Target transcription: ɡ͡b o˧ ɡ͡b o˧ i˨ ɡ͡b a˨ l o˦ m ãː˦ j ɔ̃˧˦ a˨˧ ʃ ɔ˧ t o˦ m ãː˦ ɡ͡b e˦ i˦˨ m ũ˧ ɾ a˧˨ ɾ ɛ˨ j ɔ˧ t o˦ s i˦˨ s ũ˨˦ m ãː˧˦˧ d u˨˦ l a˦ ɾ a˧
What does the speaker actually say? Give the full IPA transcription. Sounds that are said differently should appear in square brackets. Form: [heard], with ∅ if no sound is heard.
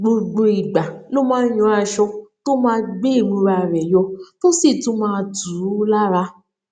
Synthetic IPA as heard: ɡ͡b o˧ ɡ͡b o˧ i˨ ɡ͡b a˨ l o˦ m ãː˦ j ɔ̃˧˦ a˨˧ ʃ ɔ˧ t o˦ m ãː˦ ɡ͡b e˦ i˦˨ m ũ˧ ɾ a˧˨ ɾ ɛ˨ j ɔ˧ t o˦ s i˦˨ [t] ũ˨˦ m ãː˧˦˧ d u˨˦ l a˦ ɾ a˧